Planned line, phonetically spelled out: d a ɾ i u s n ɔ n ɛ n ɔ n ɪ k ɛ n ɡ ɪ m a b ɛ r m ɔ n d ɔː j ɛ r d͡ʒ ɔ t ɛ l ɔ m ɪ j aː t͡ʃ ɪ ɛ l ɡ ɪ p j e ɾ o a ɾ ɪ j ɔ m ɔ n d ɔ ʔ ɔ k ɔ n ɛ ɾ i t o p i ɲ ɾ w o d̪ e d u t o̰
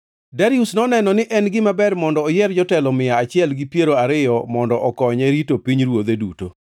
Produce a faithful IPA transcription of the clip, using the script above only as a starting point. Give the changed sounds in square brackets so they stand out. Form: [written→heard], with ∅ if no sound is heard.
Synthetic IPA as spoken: d a ɾ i u s n ɔ n ɛ n ɔ n ɪ [k→ʔ] ɛ n ɡ ɪ m a b ɛ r m ɔ n d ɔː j ɛ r d͡ʒ ɔ t ɛ l ɔ m ɪ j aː t͡ʃ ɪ ɛ l ɡ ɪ p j e ɾ o a ɾ ɪ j ɔ m ɔ n d ɔ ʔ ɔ k ɔ [n→ɲ] ɛ ɾ i t o p i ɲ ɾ w o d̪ e d u t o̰